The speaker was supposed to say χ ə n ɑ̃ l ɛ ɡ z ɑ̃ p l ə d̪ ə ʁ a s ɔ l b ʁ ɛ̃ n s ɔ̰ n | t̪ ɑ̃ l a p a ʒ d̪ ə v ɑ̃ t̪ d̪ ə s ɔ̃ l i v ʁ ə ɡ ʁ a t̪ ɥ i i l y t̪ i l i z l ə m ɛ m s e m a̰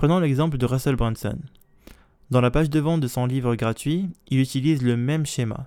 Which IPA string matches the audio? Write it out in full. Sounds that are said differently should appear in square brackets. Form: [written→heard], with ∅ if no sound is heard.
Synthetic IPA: χ ə n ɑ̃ l ɛ ɡ z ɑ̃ p l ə d̪ ə ʁ a s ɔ l b ʁ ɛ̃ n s ɔ̰ n | [t̪→d̪] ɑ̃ l a p a ʒ d̪ ə v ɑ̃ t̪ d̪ ə s ɔ̃ l i v ʁ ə ɡ ʁ a t̪ ɥ i i l y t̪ i l i z l ə m ɛ m [s→ʃ] e m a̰